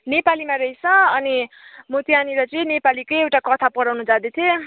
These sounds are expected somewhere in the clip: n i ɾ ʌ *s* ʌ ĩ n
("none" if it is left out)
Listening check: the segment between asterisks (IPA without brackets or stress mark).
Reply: t͡s